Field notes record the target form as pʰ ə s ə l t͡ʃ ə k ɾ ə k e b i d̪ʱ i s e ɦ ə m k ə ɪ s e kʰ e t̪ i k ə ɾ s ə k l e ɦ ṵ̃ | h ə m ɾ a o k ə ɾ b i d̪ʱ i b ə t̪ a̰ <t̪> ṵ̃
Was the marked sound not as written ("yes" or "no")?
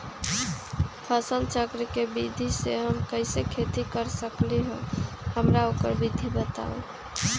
yes